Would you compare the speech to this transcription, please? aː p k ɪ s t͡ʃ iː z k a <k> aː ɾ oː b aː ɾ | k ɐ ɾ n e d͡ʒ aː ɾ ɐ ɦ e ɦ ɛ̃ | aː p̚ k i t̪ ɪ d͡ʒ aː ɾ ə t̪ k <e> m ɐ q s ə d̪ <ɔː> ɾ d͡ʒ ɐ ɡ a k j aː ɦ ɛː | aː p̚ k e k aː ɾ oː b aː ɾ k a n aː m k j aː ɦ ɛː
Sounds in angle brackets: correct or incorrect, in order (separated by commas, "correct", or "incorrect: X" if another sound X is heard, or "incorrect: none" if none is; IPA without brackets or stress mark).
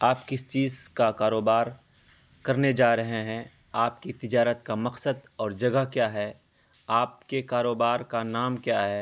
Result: correct, incorrect: a, correct